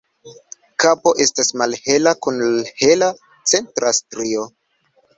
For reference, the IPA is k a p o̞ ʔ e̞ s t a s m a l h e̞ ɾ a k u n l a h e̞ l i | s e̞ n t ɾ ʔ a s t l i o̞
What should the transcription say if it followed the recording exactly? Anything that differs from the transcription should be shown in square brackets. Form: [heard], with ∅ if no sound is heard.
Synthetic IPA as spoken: k a p o̞ ʔ e̞ s t a s m a l h e̞ [l] a k u n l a h e̞ l [a] | [t͡s] e̞ n t ɾ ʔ a s t [ɾ] i o̞